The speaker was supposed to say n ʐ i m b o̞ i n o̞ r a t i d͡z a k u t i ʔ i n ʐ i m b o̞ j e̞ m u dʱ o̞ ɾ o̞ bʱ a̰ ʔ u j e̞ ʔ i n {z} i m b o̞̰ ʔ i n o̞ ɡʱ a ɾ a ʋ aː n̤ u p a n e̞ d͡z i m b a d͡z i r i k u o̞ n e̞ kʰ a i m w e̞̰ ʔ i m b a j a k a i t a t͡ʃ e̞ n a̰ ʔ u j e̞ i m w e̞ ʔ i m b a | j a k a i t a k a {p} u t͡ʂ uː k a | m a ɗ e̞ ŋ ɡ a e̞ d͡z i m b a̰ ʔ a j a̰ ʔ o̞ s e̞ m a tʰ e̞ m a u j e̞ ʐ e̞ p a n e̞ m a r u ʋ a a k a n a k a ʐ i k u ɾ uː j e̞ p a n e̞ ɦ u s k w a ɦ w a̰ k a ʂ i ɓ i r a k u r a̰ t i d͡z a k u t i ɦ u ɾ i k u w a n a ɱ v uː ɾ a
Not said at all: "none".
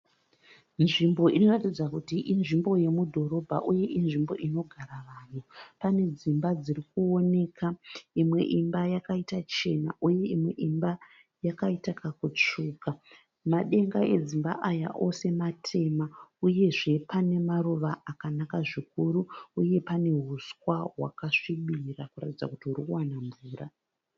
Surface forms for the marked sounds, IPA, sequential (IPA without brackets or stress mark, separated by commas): ʐ, k